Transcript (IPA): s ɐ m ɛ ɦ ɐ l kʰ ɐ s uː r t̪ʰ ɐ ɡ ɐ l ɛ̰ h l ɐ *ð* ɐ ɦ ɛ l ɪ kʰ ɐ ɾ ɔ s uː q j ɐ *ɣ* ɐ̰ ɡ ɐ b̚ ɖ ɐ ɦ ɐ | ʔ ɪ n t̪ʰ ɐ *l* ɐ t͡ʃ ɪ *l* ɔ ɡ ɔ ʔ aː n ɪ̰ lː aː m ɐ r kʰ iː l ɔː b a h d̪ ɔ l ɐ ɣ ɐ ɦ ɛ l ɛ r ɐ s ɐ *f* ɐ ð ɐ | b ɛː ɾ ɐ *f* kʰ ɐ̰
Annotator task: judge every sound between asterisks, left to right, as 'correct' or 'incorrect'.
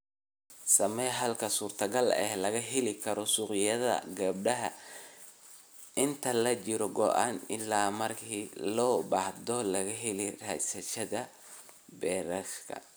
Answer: incorrect: ɣ, incorrect: ð, correct, incorrect: ɾ, incorrect: ʃ, incorrect: ʃ

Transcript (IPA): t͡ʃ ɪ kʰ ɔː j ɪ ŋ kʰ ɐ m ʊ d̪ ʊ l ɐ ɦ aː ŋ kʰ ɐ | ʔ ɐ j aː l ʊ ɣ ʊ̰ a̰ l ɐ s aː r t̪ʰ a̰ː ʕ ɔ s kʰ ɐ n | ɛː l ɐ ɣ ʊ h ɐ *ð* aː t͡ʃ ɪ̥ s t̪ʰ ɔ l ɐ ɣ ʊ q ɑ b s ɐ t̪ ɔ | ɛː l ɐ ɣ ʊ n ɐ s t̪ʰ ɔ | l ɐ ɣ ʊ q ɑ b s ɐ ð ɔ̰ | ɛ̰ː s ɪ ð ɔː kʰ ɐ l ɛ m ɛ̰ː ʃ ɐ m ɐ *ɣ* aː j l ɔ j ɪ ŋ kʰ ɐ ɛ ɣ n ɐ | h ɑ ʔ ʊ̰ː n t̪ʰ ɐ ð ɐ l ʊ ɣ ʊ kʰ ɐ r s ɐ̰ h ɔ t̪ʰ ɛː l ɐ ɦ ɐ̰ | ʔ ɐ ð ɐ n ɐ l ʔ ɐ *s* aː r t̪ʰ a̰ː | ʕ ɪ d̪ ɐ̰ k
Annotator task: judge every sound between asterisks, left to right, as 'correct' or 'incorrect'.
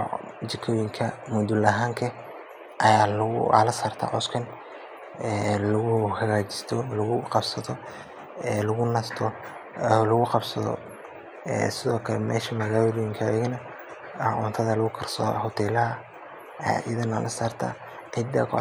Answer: incorrect: ɣ, correct, correct

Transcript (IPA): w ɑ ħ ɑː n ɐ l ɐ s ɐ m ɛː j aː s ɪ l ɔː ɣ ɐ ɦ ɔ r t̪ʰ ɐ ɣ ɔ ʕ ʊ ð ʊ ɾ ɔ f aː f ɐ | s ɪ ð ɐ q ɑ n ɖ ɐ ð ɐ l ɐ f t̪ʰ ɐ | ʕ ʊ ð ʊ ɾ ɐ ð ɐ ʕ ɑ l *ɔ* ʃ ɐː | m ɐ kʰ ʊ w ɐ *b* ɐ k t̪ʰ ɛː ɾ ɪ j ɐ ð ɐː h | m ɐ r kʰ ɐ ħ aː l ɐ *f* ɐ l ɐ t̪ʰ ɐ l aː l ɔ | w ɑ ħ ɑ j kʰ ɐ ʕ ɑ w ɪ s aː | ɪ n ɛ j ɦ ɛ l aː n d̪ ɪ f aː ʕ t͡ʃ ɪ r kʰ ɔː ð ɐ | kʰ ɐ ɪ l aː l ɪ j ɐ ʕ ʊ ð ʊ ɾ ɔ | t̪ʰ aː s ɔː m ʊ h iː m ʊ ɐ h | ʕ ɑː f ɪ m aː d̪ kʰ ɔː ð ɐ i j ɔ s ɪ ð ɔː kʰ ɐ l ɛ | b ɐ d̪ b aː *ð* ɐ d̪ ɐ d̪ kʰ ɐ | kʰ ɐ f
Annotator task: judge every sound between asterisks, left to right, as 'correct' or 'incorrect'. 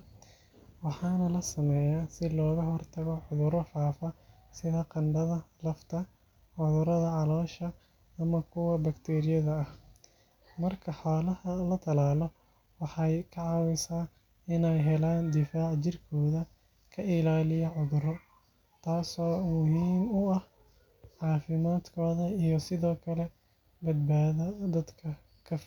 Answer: incorrect: ɔː, correct, incorrect: h, correct

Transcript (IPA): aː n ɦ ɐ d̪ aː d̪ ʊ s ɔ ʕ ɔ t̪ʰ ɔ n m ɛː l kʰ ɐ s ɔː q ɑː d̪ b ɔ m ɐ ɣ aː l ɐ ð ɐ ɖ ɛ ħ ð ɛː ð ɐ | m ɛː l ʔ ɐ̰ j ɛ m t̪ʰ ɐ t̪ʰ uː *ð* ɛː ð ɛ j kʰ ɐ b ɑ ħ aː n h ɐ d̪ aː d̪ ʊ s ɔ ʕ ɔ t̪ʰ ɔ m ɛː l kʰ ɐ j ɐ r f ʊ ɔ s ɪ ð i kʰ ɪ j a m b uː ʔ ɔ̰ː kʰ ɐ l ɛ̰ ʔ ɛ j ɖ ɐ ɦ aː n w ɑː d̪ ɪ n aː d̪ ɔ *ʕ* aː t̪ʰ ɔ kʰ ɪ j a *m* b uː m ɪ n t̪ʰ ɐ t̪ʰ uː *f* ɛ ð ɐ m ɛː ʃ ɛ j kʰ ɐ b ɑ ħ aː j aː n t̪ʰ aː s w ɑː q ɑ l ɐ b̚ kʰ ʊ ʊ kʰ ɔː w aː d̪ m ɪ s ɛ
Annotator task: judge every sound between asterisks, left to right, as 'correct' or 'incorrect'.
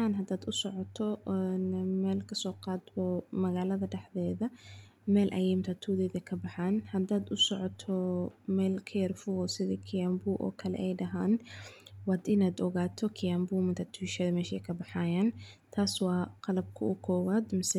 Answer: correct, incorrect: ɣ, correct, incorrect: ʃ

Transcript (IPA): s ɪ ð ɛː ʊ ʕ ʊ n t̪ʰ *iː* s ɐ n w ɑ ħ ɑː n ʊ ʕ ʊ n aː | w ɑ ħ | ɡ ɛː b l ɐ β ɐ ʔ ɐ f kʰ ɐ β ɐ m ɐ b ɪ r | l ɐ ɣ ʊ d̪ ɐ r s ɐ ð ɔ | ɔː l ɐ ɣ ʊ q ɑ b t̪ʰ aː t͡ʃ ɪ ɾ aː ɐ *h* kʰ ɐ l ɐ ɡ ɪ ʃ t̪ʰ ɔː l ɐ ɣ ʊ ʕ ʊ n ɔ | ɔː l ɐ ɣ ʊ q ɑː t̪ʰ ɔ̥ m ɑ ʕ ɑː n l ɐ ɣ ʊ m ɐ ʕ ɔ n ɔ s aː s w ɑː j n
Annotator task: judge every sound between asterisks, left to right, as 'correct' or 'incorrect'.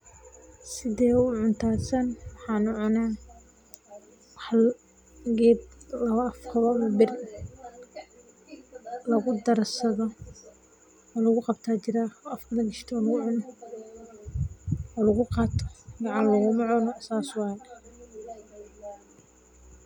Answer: incorrect: aː, incorrect: f

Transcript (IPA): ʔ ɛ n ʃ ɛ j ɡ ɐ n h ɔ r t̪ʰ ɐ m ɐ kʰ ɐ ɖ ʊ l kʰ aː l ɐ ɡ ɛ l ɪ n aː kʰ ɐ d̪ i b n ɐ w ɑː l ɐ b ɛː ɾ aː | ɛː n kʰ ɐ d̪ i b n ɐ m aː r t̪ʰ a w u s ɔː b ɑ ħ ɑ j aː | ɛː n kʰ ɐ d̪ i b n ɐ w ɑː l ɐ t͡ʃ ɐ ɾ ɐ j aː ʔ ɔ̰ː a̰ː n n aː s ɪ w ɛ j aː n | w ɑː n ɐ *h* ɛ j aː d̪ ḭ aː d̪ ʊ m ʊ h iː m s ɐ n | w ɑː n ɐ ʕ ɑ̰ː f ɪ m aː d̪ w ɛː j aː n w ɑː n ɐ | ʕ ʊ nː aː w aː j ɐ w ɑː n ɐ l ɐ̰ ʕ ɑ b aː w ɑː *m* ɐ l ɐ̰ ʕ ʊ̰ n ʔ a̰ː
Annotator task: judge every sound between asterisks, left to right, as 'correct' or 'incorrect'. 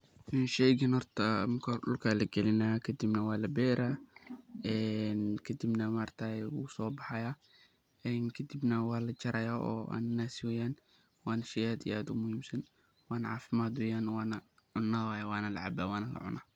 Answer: incorrect: ʃ, incorrect: n

